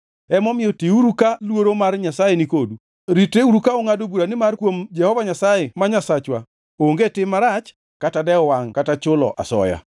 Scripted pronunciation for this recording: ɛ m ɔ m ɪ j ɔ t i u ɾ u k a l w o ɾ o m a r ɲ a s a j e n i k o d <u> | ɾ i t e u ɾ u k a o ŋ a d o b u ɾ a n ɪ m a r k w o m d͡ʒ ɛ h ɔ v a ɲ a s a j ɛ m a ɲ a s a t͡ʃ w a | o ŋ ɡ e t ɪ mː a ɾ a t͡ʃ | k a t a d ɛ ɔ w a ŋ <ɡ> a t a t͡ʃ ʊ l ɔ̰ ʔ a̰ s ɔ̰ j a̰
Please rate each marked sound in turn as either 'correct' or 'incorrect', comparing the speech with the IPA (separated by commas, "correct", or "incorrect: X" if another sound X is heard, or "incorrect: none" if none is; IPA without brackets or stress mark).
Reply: correct, incorrect: k